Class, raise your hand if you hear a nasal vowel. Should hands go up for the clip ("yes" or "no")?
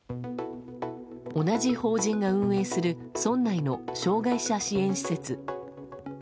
yes